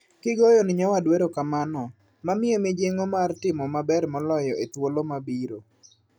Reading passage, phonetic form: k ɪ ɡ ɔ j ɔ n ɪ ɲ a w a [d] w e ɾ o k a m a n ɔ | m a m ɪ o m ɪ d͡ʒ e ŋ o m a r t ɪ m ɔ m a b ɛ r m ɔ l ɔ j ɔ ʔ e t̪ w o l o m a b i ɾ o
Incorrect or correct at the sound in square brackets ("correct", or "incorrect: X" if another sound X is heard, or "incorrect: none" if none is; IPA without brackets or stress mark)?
correct